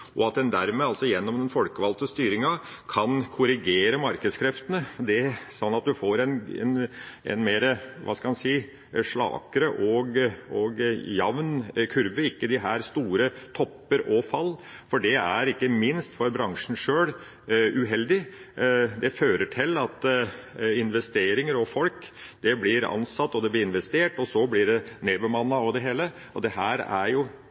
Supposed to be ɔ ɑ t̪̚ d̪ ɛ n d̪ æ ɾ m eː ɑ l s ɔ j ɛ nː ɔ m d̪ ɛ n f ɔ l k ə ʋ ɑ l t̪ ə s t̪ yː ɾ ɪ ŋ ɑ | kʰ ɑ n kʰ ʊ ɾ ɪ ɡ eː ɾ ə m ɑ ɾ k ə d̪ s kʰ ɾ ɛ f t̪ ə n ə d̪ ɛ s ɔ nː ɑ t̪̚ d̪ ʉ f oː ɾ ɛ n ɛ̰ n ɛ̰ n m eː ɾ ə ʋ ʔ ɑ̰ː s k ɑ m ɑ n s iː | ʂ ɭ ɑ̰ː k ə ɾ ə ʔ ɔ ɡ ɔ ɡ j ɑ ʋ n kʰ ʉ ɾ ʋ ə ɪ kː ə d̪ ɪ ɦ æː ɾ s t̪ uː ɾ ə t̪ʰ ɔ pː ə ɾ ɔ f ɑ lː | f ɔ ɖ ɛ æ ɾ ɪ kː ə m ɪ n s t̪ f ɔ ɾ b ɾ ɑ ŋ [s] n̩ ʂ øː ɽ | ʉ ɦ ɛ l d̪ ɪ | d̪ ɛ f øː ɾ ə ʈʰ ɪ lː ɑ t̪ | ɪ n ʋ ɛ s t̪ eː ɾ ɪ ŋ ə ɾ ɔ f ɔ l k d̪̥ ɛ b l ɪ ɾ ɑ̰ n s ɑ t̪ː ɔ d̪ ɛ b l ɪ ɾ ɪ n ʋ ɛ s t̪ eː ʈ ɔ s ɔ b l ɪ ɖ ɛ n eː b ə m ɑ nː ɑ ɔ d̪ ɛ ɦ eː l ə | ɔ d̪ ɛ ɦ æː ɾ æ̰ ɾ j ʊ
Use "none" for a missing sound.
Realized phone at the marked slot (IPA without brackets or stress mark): ʂ